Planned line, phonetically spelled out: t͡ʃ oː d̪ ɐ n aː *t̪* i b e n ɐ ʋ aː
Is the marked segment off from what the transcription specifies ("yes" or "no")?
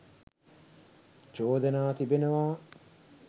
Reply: no